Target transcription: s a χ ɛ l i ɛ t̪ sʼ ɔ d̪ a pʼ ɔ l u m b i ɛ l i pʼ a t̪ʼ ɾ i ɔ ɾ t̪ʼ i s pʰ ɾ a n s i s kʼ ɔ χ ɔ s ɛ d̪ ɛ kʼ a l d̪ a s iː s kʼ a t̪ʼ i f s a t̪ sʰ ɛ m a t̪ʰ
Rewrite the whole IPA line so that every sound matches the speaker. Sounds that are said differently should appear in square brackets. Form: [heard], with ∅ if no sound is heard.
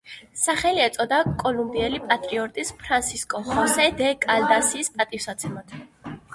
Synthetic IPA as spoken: s a χ ɛ l i ɛ t̪ sʼ ɔ d̪ a [kʼ] ɔ l u m b i ɛ l i pʼ a t̪ʼ ɾ i ɔ ɾ t̪ʼ i s pʰ ɾ a n s i s kʼ ɔ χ ɔ s ɛ d̪ ɛ kʼ a l d̪ a s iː s [pʼ] a t̪ʼ i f s a t̪ sʰ ɛ m a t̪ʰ